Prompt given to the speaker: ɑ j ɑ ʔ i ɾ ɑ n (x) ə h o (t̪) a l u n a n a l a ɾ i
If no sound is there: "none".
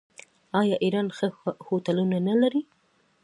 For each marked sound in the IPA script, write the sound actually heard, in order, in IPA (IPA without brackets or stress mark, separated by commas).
x, t̪